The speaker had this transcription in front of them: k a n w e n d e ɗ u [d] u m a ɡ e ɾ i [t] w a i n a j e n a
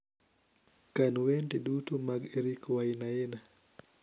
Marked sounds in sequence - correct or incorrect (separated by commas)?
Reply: incorrect, incorrect